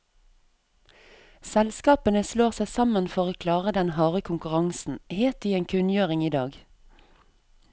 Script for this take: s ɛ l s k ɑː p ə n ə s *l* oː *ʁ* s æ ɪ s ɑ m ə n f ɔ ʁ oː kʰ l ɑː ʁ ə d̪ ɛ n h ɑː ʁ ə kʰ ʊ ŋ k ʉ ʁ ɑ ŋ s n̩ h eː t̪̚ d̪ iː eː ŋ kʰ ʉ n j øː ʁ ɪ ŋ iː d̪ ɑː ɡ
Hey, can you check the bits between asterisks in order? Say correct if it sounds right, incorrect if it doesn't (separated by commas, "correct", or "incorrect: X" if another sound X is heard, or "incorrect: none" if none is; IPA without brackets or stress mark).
correct, correct